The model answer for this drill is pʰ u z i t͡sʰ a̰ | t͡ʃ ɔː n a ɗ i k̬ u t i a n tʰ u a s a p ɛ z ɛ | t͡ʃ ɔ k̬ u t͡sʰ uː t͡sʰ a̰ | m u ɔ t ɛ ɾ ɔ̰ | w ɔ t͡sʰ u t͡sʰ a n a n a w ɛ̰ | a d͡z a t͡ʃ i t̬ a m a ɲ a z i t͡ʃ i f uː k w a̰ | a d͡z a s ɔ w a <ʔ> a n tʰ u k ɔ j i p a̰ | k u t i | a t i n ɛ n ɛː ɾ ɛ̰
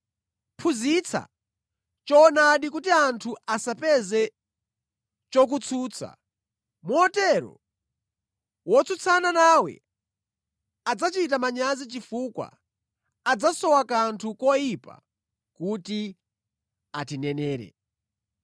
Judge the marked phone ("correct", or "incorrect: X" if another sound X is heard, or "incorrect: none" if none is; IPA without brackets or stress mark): incorrect: k